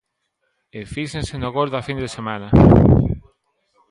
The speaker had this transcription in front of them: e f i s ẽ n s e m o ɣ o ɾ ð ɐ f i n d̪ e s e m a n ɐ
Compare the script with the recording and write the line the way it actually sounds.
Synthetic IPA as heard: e f i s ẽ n s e n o ɣ o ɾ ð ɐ f i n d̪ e s e m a n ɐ